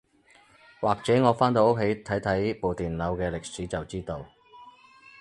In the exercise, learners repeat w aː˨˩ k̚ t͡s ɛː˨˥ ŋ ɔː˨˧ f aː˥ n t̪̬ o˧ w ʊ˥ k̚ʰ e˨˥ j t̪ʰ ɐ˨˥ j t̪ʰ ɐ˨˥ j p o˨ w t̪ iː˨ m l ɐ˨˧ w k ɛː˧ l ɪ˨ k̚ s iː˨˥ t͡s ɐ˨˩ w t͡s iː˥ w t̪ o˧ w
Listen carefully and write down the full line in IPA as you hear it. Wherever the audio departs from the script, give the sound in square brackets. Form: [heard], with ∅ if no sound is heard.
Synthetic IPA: w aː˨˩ k̚ t͡s ɛː˨˥ ŋ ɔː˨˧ f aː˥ n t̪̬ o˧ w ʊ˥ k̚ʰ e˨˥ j t̪ʰ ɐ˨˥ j t̪ʰ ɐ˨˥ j p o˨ w t̪ iː˨ [n] l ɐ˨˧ w k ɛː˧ l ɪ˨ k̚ s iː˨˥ t͡s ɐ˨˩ w t͡s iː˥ [∅] t̪ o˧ w